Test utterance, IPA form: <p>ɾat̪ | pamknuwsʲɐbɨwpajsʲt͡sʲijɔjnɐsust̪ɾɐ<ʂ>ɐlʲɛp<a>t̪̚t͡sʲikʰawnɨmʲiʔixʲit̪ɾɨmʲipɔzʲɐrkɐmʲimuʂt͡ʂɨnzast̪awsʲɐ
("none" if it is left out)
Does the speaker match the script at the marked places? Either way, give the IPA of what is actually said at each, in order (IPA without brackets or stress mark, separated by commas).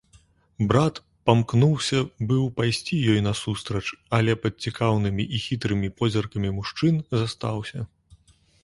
b, t͡ʂ, ɐ